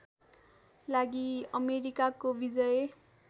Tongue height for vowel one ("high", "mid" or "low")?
low